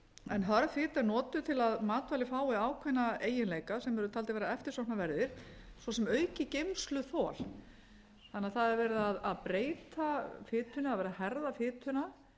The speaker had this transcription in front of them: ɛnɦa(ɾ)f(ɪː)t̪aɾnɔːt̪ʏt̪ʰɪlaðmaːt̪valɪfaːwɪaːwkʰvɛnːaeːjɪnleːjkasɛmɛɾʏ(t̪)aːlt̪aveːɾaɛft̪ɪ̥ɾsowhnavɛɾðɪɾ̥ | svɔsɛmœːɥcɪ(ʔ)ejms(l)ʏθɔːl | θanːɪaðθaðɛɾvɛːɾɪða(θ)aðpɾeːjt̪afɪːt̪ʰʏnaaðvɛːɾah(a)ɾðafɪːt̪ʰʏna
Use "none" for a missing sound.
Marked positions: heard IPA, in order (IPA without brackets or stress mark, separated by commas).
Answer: ɾ, ɪː, t̪ʰ, c, l, ð, ɛ